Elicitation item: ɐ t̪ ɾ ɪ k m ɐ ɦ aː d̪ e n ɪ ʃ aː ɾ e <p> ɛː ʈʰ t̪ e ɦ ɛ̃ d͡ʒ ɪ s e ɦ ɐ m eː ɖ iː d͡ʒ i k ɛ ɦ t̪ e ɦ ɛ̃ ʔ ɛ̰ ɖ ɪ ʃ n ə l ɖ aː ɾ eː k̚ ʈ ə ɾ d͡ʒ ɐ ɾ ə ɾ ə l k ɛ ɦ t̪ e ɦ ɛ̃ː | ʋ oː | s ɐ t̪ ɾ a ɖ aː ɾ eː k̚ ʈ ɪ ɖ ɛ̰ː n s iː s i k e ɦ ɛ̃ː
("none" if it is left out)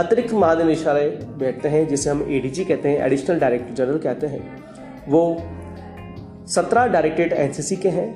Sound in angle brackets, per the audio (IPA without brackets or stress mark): b